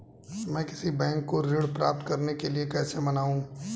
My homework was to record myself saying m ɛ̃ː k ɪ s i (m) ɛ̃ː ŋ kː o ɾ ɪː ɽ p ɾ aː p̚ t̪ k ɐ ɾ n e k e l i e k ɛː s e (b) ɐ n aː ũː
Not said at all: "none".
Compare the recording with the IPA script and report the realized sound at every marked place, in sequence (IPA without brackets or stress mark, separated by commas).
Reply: b, m